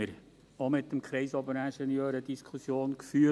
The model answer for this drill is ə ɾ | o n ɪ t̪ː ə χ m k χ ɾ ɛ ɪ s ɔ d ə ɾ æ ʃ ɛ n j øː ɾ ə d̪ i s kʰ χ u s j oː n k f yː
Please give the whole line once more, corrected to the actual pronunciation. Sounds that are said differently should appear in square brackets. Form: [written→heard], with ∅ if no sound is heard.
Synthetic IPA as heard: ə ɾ | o [n→m] ɪ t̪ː ə [χ→∅] m k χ ɾ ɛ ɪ s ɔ [d→b] ə ɾ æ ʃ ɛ n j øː ɾ ə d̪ i s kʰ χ u s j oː n k f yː